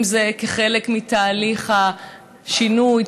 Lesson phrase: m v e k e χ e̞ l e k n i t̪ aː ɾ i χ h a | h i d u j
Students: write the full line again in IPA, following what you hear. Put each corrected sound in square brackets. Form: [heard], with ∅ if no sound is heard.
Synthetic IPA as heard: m [z] e k e χ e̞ l e k [m] i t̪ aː [l] i χ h a | [ʃ] i [n] u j